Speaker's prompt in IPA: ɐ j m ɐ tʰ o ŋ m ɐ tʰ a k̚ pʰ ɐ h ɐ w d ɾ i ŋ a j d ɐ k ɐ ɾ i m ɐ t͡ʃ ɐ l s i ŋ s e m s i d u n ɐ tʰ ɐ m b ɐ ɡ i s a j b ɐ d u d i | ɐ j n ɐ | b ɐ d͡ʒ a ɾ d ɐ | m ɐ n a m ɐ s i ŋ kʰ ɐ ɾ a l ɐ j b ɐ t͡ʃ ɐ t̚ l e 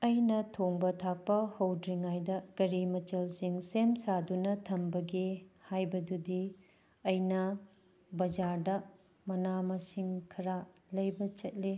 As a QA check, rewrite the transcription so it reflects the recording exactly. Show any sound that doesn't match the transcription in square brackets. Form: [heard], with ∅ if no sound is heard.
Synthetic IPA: ɐ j [n] ɐ tʰ o ŋ [b] ɐ tʰ a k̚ [p] ɐ h ɐ w d ɾ i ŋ a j d ɐ k ɐ ɾ i m ɐ t͡ʃ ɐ l s i ŋ s e m s [a] d u n ɐ tʰ ɐ m b ɐ ɡ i [h] a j b ɐ d u d i | ɐ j n ɐ | b ɐ d͡ʒ a ɾ d ɐ | m ɐ n a m ɐ s i ŋ kʰ ɐ ɾ a l ɐ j b ɐ t͡ʃ ɐ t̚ l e